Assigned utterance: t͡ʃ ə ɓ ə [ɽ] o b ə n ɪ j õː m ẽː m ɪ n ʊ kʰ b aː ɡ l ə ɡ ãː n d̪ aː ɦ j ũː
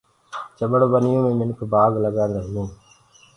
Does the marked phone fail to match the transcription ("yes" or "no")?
no